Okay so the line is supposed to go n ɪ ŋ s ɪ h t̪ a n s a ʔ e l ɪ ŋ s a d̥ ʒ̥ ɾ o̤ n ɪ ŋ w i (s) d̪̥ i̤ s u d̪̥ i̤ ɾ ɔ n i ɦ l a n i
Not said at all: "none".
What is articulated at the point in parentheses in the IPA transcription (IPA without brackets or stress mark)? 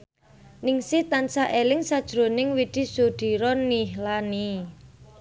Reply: none